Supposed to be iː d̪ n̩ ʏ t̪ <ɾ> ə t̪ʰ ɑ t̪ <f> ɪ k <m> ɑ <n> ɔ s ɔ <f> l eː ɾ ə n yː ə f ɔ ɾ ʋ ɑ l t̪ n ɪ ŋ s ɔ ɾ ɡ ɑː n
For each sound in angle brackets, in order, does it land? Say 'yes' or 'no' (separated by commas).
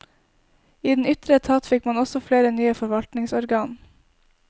yes, yes, yes, yes, yes